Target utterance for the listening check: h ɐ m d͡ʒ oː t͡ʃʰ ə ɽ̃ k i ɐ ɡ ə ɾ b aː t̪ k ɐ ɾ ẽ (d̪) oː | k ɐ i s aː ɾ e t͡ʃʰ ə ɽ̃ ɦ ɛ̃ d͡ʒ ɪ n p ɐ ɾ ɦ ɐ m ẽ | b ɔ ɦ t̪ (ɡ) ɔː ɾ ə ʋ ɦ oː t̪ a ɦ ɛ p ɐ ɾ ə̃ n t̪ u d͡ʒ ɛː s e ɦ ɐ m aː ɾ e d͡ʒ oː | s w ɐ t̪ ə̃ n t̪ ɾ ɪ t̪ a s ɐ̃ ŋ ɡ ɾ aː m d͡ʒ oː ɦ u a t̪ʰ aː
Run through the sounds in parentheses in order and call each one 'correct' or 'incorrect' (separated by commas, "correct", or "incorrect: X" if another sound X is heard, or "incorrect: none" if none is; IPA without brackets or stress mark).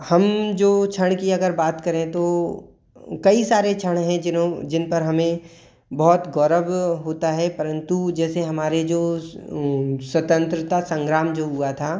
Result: incorrect: t̪, correct